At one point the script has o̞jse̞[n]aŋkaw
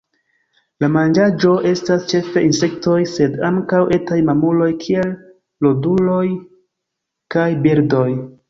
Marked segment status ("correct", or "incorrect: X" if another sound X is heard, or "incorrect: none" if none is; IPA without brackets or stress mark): incorrect: d